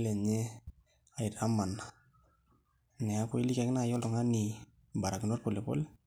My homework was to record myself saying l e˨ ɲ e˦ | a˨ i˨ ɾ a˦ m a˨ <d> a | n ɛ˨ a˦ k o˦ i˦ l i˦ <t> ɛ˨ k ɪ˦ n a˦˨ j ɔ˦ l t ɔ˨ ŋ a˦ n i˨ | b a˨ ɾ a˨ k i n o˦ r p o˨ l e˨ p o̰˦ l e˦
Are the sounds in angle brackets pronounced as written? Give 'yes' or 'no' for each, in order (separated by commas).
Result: no, no